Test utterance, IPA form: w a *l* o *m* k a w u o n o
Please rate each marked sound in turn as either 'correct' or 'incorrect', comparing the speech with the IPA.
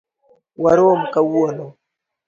incorrect: ɾ, correct

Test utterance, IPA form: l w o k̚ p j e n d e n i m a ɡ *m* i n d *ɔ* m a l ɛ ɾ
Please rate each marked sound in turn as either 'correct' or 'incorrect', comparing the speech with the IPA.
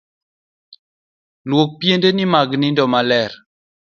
incorrect: n, correct

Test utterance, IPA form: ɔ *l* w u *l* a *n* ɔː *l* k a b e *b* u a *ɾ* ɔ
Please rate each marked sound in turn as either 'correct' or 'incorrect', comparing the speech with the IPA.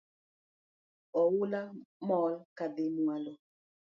incorrect: none, correct, incorrect: m, correct, incorrect: m, incorrect: l

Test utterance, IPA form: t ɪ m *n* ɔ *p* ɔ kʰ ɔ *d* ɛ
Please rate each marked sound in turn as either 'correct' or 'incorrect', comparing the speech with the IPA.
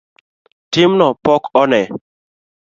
correct, correct, incorrect: n

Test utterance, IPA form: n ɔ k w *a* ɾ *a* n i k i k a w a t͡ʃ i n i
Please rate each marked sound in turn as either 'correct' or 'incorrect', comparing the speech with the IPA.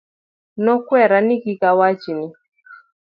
incorrect: ɛ, correct

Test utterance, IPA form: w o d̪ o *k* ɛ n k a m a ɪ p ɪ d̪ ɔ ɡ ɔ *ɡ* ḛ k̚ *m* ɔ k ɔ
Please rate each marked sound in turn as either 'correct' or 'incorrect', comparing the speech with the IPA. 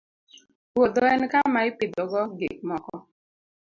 incorrect: none, correct, correct

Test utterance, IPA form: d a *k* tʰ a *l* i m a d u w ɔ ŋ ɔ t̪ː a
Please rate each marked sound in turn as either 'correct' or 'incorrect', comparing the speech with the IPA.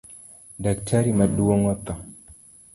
correct, incorrect: ɾ

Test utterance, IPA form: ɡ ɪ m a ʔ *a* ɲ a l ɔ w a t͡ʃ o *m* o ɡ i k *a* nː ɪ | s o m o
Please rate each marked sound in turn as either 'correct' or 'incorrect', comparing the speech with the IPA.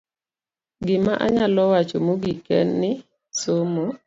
correct, correct, incorrect: ɛ

